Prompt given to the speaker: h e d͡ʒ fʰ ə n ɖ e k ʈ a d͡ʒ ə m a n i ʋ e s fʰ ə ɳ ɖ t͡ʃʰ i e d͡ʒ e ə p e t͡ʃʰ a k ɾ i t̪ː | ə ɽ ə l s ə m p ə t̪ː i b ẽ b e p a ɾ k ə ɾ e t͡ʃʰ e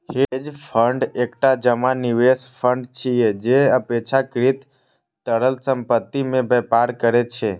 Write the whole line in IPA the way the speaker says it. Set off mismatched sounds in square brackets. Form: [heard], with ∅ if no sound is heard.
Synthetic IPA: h e d͡ʒ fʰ ə [ɳ] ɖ e k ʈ a d͡ʒ ə m a n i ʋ e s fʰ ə ɳ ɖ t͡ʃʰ i e d͡ʒ e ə p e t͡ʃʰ a k ɾ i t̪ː | ə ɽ ə l s ə m p ə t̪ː i [m] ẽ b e p a ɾ k ə ɾ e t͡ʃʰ e